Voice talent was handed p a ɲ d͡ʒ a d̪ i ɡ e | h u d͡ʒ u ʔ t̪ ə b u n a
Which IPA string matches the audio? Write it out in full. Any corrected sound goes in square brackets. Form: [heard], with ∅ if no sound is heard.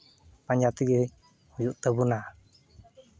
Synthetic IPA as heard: p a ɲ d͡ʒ a [t̪] i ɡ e | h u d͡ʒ u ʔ t̪ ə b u n a